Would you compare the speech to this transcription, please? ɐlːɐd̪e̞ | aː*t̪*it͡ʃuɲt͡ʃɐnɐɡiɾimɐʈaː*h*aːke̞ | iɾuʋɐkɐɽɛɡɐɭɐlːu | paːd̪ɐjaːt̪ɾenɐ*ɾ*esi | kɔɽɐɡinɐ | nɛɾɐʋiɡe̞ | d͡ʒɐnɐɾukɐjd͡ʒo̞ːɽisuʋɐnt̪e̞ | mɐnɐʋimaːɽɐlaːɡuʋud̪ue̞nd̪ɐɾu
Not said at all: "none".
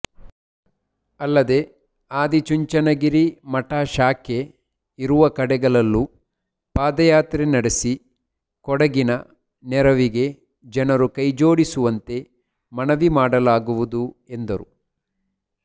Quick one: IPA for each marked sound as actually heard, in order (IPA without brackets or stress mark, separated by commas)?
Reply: d̪, ʃ, ɽ